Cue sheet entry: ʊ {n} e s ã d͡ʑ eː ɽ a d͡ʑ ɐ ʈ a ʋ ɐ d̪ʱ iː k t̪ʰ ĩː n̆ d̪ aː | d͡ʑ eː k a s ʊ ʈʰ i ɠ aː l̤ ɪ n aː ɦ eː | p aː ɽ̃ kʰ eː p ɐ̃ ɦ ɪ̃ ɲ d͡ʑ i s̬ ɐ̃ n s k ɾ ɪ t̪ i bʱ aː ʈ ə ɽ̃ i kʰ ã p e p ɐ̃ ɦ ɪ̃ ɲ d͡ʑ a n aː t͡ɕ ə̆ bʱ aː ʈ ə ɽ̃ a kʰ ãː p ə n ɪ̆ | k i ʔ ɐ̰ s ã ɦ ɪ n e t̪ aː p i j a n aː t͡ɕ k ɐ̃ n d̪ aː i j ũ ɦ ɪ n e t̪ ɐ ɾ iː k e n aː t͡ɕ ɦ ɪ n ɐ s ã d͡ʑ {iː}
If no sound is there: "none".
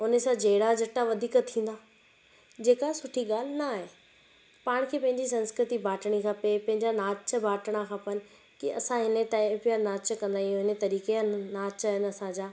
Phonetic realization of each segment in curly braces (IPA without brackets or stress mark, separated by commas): n, aː